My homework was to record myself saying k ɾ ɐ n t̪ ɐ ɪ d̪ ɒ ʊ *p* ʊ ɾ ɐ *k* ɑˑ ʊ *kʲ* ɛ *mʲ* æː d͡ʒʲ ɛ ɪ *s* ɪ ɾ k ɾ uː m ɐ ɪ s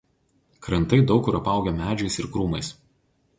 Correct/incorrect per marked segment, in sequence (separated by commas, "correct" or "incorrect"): incorrect, incorrect, incorrect, correct, correct